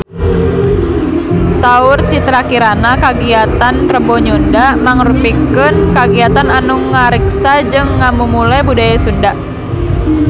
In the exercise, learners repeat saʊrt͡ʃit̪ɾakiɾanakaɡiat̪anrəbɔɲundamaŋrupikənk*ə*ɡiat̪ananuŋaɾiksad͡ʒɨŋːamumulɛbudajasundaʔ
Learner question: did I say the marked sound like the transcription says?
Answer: no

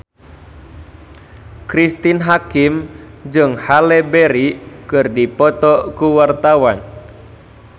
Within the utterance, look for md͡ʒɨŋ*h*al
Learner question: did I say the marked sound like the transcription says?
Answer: yes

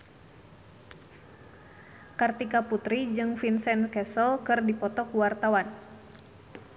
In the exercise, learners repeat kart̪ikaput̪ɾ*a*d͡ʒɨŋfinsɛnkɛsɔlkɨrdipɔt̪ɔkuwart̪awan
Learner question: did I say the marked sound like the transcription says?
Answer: no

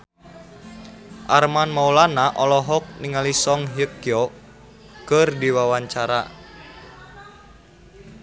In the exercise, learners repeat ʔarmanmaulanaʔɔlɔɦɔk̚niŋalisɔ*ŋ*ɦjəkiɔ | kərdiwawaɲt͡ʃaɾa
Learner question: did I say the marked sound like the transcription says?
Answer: yes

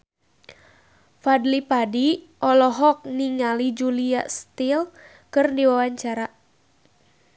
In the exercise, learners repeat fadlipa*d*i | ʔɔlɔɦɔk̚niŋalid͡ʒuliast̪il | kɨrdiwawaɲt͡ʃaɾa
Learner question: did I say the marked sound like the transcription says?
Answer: yes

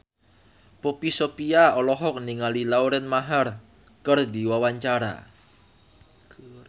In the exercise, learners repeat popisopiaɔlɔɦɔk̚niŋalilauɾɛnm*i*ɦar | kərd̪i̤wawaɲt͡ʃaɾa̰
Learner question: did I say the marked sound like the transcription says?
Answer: no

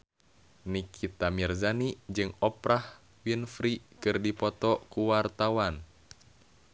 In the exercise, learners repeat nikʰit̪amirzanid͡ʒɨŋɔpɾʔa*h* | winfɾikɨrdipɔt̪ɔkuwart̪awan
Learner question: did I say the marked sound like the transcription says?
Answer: yes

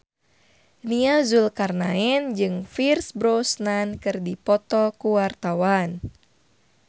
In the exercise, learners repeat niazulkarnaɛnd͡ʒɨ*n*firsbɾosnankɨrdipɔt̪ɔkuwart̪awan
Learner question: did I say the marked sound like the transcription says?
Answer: no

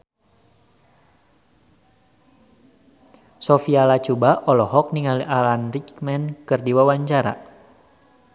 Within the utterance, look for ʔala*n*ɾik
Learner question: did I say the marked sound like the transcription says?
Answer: yes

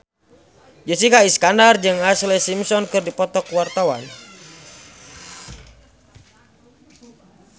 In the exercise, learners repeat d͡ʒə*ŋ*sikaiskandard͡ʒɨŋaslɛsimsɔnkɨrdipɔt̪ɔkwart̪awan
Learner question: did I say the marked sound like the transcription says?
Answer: no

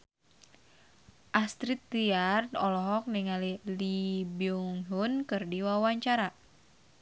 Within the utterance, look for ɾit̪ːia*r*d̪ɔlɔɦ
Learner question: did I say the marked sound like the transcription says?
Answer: yes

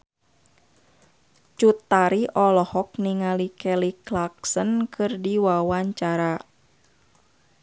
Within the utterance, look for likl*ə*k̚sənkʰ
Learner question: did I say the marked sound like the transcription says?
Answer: no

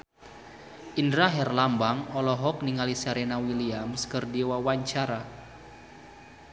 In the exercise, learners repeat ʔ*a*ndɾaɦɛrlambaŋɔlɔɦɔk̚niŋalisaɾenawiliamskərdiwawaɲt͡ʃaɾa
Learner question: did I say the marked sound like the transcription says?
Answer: no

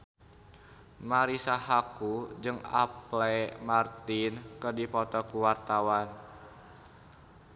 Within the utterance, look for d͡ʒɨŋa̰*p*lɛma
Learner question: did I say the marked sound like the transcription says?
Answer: yes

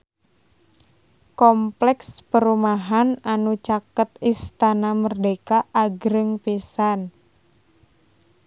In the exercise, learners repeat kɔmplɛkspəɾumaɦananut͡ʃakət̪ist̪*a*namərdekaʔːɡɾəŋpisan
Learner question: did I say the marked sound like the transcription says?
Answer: yes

